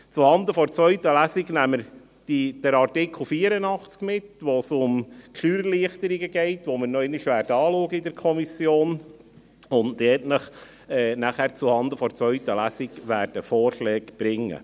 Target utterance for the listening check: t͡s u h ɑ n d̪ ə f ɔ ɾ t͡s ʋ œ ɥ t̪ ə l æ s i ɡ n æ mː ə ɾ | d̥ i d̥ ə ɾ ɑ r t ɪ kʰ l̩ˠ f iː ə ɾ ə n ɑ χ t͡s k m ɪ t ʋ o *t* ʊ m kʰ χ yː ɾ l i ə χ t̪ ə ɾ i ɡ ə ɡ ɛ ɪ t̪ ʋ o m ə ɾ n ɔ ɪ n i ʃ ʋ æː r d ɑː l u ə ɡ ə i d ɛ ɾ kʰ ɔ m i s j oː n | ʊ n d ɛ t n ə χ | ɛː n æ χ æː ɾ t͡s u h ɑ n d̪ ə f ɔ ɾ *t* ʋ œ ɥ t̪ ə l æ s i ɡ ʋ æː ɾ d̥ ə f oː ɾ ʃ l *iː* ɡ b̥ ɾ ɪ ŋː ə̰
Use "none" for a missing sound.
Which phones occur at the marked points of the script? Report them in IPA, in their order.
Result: s, t͡s, ɛː

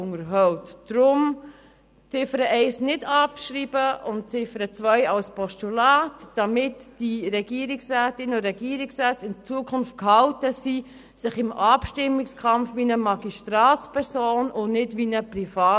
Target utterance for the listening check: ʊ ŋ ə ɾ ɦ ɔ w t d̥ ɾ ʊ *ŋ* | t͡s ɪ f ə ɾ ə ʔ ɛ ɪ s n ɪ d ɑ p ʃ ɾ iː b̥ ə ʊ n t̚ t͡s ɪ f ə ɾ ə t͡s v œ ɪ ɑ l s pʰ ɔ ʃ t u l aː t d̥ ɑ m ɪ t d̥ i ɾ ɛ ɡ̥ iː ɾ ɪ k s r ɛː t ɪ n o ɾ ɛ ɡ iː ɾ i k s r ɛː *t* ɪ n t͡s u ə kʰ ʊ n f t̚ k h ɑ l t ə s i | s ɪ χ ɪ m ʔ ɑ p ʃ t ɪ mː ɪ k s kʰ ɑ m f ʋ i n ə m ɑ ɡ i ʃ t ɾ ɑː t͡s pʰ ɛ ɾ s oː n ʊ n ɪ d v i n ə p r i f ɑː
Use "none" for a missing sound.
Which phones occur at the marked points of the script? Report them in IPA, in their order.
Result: m, t͡s

